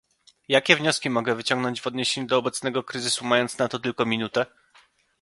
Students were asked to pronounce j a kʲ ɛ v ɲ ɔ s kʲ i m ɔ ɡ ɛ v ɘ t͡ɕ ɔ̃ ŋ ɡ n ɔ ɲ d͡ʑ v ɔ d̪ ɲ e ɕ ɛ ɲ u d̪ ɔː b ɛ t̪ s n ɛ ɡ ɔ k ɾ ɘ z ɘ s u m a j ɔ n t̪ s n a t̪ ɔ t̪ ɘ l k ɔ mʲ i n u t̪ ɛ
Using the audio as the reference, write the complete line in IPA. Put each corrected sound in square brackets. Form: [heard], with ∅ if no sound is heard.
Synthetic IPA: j a kʲ ɛ v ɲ ɔ s kʲ i m ɔ ɡ ɛ v ɘ t͡ɕ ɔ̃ ŋ ɡ n ɔ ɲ d͡ʑ v ɔ d̪ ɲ e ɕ [e] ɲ u d̪ ɔː b ɛ t̪ s n ɛ ɡ ɔ k ɾ ɘ z ɘ s u m a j ɔ n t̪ s n a t̪ ɔ t̪ ɘ l k ɔ mʲ i n u t̪ ɛ